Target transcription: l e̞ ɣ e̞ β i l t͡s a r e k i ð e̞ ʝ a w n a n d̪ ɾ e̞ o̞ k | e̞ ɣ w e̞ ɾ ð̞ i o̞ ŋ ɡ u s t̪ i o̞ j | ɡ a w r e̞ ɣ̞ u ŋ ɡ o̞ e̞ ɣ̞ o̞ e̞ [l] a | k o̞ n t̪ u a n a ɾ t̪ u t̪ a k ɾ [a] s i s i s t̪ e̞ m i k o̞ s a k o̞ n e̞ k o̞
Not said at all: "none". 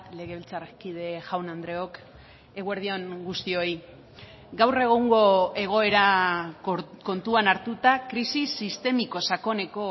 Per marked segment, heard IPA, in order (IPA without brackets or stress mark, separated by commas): ɾ, i